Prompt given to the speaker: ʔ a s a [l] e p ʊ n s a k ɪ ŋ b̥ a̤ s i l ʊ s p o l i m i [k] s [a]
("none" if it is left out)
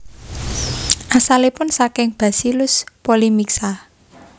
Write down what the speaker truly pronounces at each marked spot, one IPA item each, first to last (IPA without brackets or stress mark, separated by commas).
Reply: l, k, a